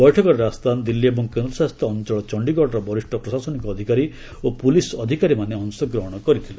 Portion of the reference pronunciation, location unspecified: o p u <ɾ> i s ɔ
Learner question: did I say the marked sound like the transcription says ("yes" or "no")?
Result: no